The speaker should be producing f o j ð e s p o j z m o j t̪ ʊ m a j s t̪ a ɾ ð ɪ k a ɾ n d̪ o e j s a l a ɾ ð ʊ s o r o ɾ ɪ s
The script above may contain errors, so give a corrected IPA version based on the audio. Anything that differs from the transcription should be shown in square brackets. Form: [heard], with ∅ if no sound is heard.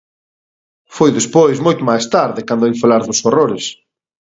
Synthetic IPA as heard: f o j ð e s p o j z m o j t̪ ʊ m a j s t̪ a ɾ ð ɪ k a [∅] n d̪ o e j [f] a l a ɾ ð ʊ s o r o ɾ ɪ s

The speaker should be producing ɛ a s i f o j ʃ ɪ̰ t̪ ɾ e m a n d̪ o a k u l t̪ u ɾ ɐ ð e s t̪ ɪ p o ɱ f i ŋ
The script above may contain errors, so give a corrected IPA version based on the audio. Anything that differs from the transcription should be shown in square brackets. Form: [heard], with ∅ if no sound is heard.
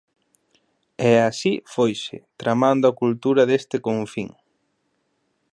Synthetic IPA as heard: ɛ a s i f o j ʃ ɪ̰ t̪ ɾ [a] m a n d̪ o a k u l t̪ u ɾ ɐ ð e s t̪ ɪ [k] o ɱ f i ŋ

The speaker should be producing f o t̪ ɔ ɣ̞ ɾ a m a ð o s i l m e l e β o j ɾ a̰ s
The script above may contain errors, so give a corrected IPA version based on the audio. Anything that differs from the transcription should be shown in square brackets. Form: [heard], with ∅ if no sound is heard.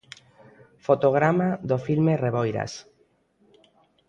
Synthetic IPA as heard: f o t̪ [o] ɣ̞ ɾ a m a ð o [f] i l m e [r] e β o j ɾ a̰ s

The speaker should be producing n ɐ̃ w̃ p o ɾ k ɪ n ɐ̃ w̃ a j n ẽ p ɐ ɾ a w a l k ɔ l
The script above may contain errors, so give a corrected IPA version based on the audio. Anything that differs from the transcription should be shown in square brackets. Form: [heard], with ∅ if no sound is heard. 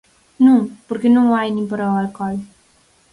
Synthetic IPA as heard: n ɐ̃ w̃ p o ɾ k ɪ n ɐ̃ w̃ a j n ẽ p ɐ ɾ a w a l k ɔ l

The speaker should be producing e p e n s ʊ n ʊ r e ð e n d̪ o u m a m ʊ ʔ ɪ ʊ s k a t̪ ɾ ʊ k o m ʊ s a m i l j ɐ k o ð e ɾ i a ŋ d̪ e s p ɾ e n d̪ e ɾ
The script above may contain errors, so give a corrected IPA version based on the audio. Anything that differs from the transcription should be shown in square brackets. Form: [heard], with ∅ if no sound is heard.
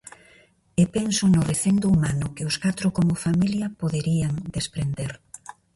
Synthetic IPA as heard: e p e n s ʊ n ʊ r e [θ] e n d̪ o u m a [n] ʊ [k] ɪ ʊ s k a t̪ ɾ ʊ k o m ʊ [f] a m i l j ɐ [p] o ð e ɾ i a ŋ d̪ e s p ɾ e n d̪ e ɾ

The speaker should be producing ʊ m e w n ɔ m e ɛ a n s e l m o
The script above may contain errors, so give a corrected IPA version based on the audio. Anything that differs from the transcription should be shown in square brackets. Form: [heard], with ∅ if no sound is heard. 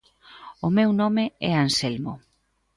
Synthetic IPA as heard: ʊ m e w n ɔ m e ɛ a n s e l m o

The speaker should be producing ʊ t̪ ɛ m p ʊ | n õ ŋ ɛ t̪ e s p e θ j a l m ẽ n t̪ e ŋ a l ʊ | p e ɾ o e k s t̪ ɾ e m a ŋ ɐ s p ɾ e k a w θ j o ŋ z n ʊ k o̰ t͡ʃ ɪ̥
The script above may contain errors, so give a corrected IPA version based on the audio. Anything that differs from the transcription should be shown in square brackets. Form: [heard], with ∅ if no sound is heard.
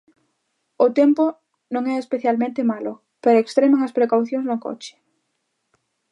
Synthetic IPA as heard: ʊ t̪ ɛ m p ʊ | n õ ŋ ɛ [∅] e s p e θ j a l m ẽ n t̪ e [m] a l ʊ | p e ɾ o e k s t̪ ɾ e m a ŋ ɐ s p ɾ e k a w θ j o ŋ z n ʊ k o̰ t͡ʃ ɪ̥

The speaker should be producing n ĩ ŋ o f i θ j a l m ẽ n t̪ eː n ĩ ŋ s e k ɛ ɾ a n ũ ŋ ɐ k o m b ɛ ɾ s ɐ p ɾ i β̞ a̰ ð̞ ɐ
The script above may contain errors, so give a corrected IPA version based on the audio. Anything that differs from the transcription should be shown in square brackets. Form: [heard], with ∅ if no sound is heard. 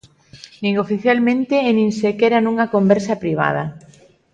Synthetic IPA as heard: n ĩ ŋ o f i θ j a l m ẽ n t̪ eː n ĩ ŋ s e k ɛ ɾ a n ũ ŋ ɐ k o m b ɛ ɾ s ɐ p ɾ i β̞ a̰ ð̞ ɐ

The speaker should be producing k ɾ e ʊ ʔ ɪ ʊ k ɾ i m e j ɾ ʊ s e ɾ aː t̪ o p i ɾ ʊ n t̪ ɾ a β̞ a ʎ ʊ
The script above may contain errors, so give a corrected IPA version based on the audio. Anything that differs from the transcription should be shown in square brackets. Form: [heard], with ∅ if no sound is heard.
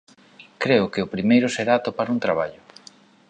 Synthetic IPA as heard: k ɾ e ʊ [k] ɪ ʊ [p] ɾ i m e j ɾ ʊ s e ɾ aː t̪ o p [a] ɾ [u] n t̪ ɾ a β̞ a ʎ ʊ

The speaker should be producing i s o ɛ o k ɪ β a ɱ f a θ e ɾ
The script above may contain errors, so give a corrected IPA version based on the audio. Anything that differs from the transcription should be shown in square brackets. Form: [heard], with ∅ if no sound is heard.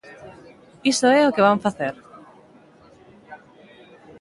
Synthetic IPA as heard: i s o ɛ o k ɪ β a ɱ f a θ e ɾ

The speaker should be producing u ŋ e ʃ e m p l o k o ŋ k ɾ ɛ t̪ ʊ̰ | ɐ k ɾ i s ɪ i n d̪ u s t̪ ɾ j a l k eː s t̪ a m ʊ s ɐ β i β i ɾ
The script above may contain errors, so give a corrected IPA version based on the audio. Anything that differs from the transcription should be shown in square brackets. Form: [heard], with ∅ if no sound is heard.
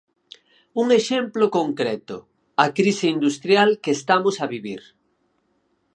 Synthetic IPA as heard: u ŋ e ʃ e m p l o k o ŋ k ɾ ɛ t̪ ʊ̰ | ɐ k ɾ i s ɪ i n d̪ u s t̪ ɾ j a l k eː s t̪ a m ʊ s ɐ β i β i ɾ

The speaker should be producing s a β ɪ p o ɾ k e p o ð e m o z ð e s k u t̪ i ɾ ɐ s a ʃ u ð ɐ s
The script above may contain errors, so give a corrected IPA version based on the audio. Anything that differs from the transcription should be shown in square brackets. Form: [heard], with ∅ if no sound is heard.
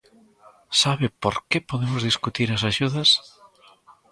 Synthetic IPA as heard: s a β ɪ p o ɾ k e p o ð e m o z ð [i] s k u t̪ i ɾ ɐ s a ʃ u ð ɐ s

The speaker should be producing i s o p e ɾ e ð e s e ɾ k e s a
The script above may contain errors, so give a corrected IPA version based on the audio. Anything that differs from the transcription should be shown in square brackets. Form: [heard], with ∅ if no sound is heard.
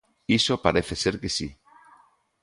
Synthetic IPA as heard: i s o p [a] ɾ e [θ] e s e ɾ k e s [i]

